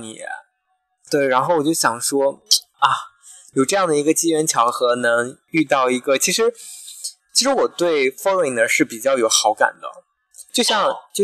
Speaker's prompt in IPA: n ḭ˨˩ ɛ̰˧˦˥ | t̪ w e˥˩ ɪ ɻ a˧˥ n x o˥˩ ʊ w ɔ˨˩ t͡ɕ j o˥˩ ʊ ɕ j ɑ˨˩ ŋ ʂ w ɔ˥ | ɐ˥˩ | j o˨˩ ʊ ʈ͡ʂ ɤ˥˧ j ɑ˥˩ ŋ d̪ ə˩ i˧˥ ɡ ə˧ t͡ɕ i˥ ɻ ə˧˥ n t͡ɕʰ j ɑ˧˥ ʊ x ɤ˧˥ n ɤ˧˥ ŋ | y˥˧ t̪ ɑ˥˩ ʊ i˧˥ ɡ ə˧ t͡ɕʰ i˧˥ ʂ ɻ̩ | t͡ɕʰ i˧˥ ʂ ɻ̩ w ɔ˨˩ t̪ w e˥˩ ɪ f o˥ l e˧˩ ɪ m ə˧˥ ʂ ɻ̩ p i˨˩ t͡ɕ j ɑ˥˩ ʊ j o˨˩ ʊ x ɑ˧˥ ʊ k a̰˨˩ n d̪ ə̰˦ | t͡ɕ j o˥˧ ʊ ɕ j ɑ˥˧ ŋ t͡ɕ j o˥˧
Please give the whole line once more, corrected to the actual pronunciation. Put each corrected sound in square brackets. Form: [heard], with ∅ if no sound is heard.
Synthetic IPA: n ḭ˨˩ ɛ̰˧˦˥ | t̪ w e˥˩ ɪ ɻ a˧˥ n x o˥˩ ʊ w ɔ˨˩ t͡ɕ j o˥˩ ʊ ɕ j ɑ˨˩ ŋ ʂ w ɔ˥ | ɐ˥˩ | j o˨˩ ʊ ʈ͡ʂ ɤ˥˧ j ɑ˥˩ ŋ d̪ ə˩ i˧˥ ɡ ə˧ t͡ɕ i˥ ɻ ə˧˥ n t͡ɕʰ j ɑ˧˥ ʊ x ɤ˧˥ n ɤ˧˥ ŋ | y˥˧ t̪ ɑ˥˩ ʊ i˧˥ ɡ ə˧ t͡ɕʰ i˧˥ ʂ ɻ̩ | t͡ɕʰ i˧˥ ʂ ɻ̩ w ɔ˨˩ t̪ w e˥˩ ɪ f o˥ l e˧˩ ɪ [n] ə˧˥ ʂ ɻ̩ p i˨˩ t͡ɕ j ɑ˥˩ ʊ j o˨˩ ʊ x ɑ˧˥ ʊ k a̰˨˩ n d̪ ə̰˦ | t͡ɕ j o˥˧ ʊ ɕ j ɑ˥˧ ŋ t͡ɕ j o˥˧